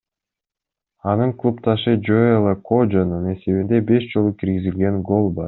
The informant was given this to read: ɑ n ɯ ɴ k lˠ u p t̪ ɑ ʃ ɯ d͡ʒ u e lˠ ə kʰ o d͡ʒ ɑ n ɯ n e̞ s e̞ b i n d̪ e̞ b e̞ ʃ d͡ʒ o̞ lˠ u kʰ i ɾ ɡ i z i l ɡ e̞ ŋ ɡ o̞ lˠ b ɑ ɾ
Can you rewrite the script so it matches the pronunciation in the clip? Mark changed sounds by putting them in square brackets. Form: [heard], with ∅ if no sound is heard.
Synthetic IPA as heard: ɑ n ɯ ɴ k lˠ u p t̪ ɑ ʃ ɯ d͡ʒ [o] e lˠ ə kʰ o d͡ʒ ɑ n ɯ n e̞ s e̞ [β] i n d̪ e̞ b e̞ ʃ d͡ʒ o̞ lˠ u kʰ i ɾ ɡ i z i l ɡ e̞ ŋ ɡ o̞ lˠ b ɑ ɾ